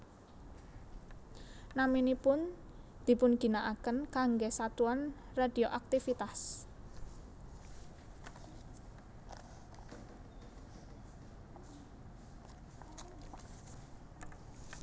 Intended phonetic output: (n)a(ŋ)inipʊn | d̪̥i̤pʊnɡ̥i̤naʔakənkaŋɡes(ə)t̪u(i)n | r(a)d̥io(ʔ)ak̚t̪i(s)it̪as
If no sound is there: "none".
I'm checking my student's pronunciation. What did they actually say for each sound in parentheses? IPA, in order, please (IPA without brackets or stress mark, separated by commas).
n, m, a, a, a, ʔ, f